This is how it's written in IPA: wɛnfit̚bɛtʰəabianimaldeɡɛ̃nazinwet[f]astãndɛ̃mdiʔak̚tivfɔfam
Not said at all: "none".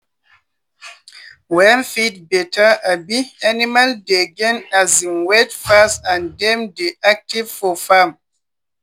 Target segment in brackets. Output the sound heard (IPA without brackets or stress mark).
f